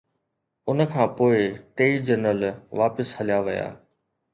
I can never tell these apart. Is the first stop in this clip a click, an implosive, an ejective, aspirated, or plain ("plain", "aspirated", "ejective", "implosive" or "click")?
aspirated